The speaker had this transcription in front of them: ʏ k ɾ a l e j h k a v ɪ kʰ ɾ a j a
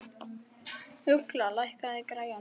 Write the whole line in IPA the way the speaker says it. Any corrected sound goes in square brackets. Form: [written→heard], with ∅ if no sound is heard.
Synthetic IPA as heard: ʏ k [ɾ→l] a l [e→a] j h k a [v→ð] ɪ [kʰ→k] ɾ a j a